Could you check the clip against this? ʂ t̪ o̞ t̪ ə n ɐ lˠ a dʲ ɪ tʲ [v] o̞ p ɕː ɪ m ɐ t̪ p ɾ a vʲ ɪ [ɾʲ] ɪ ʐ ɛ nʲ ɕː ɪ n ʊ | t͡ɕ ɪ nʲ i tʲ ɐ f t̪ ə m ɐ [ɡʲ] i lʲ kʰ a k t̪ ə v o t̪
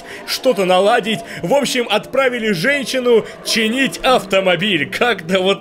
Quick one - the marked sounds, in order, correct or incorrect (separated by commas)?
correct, incorrect, incorrect